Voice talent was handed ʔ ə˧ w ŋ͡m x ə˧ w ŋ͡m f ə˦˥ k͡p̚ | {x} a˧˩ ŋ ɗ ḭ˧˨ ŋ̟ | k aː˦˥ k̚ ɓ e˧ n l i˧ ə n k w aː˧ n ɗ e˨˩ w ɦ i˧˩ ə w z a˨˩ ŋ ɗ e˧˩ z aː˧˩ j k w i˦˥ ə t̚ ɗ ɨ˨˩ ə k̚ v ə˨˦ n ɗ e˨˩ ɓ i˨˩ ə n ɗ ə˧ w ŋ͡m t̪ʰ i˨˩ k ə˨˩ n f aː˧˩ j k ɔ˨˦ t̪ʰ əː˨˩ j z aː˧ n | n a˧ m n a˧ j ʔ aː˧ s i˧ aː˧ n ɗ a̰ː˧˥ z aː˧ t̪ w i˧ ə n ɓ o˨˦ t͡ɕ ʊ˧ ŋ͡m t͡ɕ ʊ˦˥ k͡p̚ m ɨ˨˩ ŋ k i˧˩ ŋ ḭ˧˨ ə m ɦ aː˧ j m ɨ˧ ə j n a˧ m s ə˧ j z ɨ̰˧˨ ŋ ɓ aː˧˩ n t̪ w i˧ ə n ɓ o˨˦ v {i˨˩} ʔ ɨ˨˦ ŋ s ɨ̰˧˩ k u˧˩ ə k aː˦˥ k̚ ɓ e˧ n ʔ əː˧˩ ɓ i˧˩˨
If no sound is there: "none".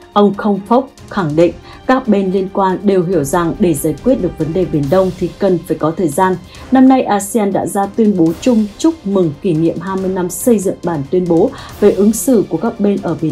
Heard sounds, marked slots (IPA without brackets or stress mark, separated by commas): x, e˨˩